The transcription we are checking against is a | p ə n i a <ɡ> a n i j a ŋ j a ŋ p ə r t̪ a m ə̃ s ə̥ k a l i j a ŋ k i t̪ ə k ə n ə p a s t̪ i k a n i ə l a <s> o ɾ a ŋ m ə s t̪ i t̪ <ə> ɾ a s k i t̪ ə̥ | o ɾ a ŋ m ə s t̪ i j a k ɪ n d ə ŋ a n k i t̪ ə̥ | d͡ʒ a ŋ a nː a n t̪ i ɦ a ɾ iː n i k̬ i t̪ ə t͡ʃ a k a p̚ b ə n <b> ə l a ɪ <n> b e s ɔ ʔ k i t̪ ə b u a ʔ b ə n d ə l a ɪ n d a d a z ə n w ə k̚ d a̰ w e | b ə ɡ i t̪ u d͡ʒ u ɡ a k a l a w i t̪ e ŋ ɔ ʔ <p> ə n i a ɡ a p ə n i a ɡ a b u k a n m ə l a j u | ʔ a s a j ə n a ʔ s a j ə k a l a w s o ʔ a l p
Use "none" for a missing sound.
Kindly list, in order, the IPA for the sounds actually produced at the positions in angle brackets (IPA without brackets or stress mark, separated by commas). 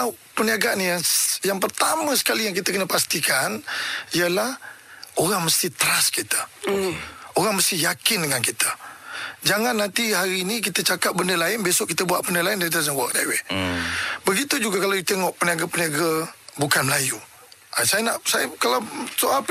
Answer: ɡ, h, ə, d, n, p